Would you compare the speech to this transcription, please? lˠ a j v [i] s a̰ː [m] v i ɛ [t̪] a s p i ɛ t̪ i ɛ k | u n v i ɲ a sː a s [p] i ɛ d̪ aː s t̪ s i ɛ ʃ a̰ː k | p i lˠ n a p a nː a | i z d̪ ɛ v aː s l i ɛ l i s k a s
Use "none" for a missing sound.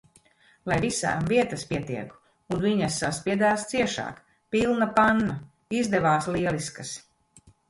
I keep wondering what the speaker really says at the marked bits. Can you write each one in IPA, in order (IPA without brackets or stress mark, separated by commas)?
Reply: i, m, t̪, p